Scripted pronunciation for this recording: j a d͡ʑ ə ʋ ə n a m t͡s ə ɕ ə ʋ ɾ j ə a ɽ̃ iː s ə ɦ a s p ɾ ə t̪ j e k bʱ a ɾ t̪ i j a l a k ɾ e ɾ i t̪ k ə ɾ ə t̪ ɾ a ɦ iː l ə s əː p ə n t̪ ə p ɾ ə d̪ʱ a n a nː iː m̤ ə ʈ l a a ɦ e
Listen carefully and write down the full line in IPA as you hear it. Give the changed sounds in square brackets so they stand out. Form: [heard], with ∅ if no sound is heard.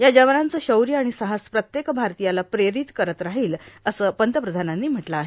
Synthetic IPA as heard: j a d͡ʑ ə ʋ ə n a [n] t͡s ə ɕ ə [w] ɾ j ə a ɽ̃ [i] s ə ɦ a s p ɾ ə t̪ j e k bʱ a ɾ t̪ i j a l a [p] ɾ e ɾ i t̪ k ə ɾ ə t̪ ɾ a ɦ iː l ə s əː p ə n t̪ ə p ɾ ə d̪ʱ a n a nː iː m̤ ə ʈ l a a ɦ e

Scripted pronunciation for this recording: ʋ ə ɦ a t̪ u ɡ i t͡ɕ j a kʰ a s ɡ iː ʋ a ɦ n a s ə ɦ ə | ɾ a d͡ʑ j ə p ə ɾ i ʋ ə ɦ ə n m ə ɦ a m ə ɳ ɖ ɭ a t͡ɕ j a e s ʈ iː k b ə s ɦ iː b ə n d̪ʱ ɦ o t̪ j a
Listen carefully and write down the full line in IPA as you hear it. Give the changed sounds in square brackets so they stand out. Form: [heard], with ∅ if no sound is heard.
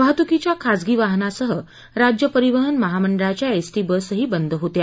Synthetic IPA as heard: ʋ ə ɦ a t̪ u [k] i t͡ɕ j a kʰ a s ɡ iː ʋ a ɦ n a s ə ɦ ə | ɾ a d͡ʑ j ə p ə ɾ i ʋ ə ɦ ə n m ə ɦ a m ə ɳ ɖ ɭ a t͡ɕ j a e s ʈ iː [∅] b ə s ɦ iː b ə n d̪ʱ ɦ o t̪ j a

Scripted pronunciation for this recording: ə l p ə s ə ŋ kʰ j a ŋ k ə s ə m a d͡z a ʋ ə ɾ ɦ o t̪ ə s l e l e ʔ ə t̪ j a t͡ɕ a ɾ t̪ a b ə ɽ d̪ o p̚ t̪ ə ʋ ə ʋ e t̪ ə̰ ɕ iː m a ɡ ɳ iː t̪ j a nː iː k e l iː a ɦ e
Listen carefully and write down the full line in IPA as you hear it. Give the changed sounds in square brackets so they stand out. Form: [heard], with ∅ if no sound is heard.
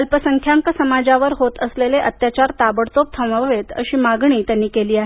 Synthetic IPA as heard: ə l p ə s ə ŋ kʰ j a ŋ k ə s ə m a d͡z a ʋ ə ɾ ɦ o t̪ ə s l e l e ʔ ə t̪ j a t͡ɕ a ɾ t̪ a b ə ɽ [t̪] o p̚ [t̪ʰ] ə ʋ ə ʋ e t̪ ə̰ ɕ iː m a ɡ ɳ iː t̪ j a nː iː k e l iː a ɦ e

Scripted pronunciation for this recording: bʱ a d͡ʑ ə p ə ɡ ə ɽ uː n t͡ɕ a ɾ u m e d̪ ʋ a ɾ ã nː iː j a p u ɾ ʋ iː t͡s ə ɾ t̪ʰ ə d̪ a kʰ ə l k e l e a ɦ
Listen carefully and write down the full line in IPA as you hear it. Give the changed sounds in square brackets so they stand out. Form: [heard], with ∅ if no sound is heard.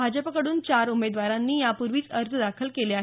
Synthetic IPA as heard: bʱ a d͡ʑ ə p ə [k] ə ɽ uː n t͡ɕ a ɾ u m e d̪ ʋ a ɾ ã nː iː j a p u ɾ ʋ iː t͡s ə ɾ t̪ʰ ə d̪ a kʰ ə l k e l e a ɦ

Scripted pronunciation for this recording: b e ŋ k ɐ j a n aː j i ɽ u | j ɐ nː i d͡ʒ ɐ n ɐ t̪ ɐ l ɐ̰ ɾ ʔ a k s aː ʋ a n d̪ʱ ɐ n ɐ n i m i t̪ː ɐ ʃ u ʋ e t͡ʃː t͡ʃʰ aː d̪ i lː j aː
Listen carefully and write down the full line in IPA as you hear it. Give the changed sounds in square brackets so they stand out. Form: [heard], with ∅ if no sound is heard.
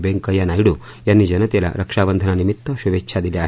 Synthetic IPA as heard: b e ŋ k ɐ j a n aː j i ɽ u | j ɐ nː i d͡ʒ ɐ n ɐ t̪ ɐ l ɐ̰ ɾ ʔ [ɐ] k [ʂ] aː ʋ [ɐ] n d̪ʱ ɐ n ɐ n i m i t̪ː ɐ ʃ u ʋ e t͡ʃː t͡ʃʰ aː d̪ i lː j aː

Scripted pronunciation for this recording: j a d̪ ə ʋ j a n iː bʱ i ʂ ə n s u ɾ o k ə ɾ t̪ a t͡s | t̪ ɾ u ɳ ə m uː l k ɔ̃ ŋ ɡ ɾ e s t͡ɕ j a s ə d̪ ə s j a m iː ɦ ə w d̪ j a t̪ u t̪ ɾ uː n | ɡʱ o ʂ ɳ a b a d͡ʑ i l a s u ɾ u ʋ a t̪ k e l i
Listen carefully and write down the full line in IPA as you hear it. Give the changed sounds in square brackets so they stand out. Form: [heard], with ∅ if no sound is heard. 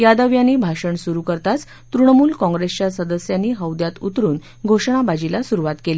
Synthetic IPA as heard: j a d̪ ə ʋ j a n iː bʱ [a] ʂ ə [ɳ] s u ɾ [u] k ə ɾ t̪ a t͡s | t̪ ɾ u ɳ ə m uː l k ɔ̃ ŋ ɡ ɾ e s t͡ɕ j a s ə d̪ ə s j a [n] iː ɦ ə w d̪ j a t̪ u t̪ ɾ uː n | ɡʱ o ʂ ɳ a b a d͡ʑ i l a s u ɾ u ʋ a t̪ k e l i

